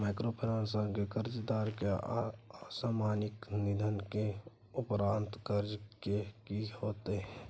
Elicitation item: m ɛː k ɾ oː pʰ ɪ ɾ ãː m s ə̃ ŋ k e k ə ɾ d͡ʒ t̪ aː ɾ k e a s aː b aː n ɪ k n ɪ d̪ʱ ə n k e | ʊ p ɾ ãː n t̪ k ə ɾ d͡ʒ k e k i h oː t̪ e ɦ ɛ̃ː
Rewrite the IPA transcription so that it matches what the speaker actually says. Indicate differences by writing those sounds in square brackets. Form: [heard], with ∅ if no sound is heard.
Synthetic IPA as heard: m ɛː k ɾ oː pʰ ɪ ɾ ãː [n] s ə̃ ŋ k e k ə ɾ d͡ʒ [d̪] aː ɾ k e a s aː [m] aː n ɪ k n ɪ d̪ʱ ə n k e | ʊ p ɾ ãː n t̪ k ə ɾ d͡ʒ k e k i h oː t̪ e ɦ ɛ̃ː

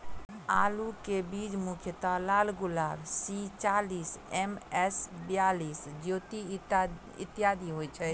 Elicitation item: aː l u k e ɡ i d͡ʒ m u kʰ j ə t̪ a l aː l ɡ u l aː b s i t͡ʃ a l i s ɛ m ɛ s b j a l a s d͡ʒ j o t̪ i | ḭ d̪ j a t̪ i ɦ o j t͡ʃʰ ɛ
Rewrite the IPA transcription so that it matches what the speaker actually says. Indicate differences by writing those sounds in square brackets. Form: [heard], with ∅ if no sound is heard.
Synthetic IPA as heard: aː l u k e [b] i d͡ʒ m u kʰ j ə t̪ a l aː l ɡ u l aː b s i t͡ʃ a l i s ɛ m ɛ s b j a l [i] s d͡ʒ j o t̪ i | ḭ [t̪] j a [d̪] i ɦ o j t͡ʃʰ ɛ

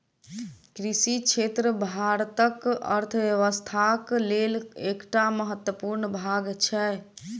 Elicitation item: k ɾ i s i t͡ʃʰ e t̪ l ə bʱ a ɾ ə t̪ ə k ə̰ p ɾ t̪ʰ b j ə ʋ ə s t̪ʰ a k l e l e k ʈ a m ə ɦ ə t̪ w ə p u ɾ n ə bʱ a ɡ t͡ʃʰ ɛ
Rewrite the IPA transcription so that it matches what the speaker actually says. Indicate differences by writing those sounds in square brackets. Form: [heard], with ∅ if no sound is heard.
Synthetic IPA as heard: k ɾ i s i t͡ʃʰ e t̪ [ɾ] ə bʱ a ɾ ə t̪ ə k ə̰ [∅] ɾ t̪ʰ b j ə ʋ ə s t̪ʰ a k l e l e k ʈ a m ə ɦ ə t̪ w ə p u ɾ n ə bʱ a ɡ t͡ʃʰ ɛ

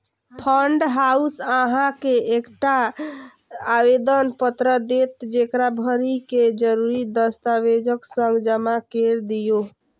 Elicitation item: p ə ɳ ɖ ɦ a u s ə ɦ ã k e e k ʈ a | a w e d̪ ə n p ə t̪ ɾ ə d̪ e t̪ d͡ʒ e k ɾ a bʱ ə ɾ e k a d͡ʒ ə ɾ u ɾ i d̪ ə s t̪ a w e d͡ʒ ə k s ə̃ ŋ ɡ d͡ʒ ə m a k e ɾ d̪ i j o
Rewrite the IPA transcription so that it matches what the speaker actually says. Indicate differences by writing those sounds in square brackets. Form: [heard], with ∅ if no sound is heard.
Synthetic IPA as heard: [pʰ] ə ɳ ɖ ɦ a u s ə ɦ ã k e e k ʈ a | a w e d̪ ə n p ə t̪ ɾ ə d̪ e t̪ d͡ʒ e k ɾ a bʱ ə ɾ [i] k [e] d͡ʒ ə ɾ u ɾ i d̪ ə s t̪ a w e d͡ʒ ə k s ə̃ ŋ ɡ d͡ʒ ə m a k e ɾ d̪ i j o

